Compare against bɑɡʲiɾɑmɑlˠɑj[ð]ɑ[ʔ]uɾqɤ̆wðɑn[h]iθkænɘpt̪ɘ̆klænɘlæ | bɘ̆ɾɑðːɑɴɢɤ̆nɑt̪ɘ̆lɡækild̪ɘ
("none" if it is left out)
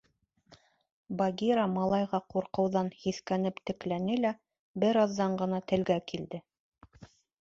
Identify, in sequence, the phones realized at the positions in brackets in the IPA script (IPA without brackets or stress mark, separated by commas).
ʁ, q, h